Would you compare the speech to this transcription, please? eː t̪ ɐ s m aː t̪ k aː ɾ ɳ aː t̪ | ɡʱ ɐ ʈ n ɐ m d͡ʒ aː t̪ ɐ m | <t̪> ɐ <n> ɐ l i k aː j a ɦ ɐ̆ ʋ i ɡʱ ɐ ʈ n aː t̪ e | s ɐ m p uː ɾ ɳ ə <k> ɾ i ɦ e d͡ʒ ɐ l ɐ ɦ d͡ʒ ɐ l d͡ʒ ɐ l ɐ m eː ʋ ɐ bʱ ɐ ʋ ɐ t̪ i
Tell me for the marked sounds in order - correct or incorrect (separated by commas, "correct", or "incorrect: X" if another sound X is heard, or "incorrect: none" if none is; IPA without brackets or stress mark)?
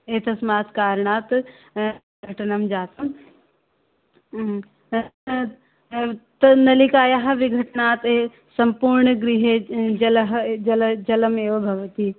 correct, correct, incorrect: ɡ